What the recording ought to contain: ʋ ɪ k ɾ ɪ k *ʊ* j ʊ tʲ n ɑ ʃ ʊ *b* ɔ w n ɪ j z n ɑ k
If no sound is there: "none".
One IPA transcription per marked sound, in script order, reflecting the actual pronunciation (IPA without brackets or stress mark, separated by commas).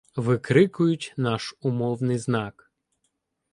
ʊ, m